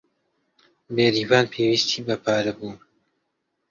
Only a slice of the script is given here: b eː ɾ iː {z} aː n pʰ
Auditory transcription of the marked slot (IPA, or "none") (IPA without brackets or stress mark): v